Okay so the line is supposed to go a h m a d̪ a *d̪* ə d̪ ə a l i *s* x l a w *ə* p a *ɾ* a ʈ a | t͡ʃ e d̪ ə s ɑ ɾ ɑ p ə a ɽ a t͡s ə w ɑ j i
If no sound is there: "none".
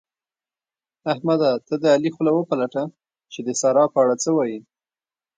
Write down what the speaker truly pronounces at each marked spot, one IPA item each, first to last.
t̪, none, ə, l

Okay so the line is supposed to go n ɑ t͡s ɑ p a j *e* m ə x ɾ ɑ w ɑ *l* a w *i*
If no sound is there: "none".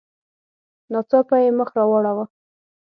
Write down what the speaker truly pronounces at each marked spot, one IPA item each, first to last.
e, ɽ, a

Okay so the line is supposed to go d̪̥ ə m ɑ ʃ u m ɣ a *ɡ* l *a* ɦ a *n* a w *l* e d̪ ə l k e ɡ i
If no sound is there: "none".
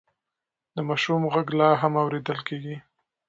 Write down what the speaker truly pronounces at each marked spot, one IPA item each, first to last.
ɡ, ɑ, m, ɾ

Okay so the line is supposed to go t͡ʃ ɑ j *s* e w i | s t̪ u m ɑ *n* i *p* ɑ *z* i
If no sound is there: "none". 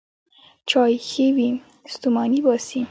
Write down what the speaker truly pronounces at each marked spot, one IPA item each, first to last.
x, n, b, s

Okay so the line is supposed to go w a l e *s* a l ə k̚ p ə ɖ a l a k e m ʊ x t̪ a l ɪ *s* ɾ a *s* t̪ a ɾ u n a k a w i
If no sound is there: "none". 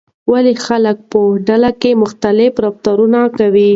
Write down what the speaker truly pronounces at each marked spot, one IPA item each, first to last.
x, f, f

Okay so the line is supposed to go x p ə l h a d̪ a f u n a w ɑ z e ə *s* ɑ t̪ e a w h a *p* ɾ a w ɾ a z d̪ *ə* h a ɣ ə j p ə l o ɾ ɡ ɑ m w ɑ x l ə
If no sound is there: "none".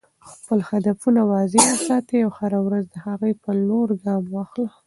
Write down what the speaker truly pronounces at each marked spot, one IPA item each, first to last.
s, none, ə

